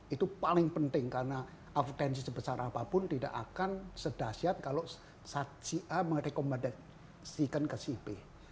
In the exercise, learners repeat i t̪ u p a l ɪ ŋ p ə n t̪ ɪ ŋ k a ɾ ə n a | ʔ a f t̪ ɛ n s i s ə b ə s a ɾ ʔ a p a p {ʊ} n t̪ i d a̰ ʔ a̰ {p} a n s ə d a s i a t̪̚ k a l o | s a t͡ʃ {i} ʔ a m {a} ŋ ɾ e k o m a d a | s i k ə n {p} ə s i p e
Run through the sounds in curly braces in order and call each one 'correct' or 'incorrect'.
correct, incorrect, correct, incorrect, incorrect

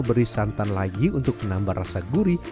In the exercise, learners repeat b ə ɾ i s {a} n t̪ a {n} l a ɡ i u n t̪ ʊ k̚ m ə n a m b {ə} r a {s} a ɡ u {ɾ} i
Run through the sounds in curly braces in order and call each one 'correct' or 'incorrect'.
correct, correct, incorrect, correct, correct

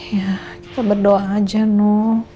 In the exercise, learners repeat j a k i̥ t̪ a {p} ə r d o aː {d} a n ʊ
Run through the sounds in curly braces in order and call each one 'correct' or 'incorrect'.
incorrect, incorrect

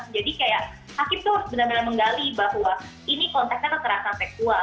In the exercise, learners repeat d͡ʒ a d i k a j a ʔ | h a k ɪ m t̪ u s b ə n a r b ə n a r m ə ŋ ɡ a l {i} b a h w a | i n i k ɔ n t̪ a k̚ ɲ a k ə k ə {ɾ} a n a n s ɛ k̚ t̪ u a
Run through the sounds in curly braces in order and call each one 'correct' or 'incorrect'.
correct, correct

